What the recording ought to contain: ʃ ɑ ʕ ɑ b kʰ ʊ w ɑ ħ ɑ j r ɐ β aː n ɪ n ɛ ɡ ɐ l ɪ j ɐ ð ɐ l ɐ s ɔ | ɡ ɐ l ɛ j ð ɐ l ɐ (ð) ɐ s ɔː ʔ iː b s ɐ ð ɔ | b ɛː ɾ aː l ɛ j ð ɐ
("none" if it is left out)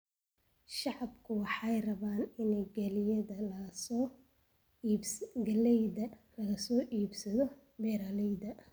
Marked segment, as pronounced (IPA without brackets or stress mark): ɣ